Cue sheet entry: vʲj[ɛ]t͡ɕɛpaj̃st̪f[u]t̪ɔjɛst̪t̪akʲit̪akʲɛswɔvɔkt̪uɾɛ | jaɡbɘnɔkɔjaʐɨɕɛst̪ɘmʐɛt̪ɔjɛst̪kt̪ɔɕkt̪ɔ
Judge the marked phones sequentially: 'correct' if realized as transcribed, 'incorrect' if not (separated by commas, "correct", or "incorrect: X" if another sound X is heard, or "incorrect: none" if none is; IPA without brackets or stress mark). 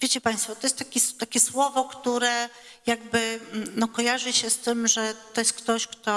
incorrect: e, incorrect: ɔ